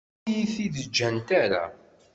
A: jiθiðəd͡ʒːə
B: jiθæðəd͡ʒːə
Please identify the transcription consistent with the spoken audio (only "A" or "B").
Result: A